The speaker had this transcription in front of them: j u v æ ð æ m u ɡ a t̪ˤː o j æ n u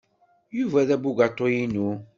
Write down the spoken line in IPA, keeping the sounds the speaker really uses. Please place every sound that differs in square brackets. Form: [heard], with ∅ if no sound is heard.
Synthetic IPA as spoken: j u v æ ð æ [b] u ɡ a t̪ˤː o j [i] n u